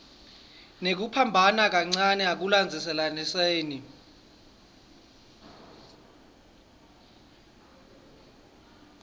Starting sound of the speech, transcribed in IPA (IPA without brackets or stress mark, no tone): n